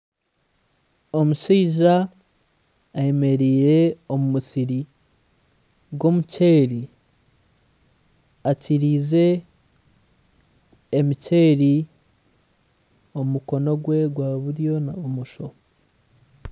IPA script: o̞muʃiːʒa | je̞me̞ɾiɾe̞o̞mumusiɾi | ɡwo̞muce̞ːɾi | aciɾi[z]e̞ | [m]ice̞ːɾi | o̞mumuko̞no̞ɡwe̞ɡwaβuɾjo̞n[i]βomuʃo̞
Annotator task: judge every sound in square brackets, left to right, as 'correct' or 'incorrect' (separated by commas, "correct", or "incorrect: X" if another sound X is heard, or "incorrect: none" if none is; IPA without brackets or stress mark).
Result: correct, correct, incorrect: a